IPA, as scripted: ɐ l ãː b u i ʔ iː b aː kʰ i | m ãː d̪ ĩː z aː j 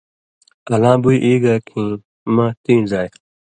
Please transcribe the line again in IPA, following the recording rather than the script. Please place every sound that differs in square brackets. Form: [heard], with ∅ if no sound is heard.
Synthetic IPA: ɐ l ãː b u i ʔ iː [ɡ] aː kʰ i | m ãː [t̪] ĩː z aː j

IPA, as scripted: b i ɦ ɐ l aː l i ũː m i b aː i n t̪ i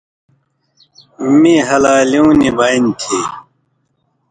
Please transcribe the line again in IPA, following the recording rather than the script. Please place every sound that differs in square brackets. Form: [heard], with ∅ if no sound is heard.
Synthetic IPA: [m] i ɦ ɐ l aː l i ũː [n] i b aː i n [t̪ʰ] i

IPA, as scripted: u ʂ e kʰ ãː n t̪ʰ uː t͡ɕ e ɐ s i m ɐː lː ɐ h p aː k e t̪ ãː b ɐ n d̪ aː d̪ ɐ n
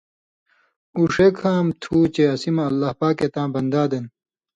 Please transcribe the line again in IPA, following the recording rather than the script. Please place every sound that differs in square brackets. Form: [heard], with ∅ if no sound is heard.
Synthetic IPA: u ʂ e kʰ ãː [m] t̪ʰ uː t͡ɕ e ɐ s i m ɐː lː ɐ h p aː k e t̪ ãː b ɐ n d̪ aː d̪ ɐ n

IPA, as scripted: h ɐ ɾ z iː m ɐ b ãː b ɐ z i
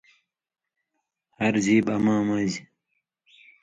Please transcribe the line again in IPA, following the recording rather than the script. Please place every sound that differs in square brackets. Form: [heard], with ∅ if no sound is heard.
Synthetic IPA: h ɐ ɾ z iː [b] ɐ [m] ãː [m] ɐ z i

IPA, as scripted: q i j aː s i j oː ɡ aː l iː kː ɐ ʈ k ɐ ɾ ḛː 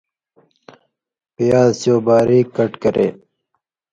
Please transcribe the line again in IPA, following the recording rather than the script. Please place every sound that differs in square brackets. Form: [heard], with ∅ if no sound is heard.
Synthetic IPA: [p] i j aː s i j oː [b] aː [ɾ] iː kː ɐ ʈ k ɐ ɾ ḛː

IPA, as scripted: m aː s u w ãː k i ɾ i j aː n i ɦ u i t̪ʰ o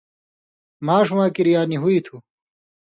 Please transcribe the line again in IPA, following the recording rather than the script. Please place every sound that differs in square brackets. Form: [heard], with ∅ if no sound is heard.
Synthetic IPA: m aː [ʂ] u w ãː k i ɾ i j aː n i ɦ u i t̪ʰ [u]

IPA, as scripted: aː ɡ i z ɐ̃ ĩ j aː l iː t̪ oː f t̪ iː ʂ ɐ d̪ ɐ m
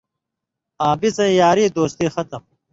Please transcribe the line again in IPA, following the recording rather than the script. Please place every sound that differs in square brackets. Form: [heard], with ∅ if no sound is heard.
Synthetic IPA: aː [b] i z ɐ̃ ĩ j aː [ɾ] iː [d̪] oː [s] t̪ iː [x] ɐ [t̪] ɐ m

